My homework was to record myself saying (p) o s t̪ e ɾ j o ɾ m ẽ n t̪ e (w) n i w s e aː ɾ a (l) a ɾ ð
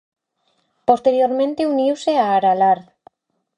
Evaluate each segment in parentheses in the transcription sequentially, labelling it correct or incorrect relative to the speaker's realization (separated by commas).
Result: correct, incorrect, correct